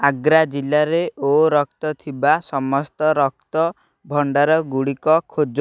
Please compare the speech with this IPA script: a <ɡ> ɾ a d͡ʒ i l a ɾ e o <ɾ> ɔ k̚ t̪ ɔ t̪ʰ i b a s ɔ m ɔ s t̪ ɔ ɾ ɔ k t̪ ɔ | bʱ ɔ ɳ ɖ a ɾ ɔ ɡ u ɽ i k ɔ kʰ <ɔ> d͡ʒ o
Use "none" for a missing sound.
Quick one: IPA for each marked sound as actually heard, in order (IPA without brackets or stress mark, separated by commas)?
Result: ɡ, ɾ, o